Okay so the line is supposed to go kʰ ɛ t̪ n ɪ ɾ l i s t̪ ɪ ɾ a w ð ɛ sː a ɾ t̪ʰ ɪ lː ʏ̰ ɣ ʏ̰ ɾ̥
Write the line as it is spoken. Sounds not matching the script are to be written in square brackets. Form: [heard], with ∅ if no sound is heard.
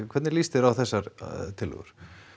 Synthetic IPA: kʰ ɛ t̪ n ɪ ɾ l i s t̪ ɪ ɾ a w [θ] ɛ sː a ɾ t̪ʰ ɪ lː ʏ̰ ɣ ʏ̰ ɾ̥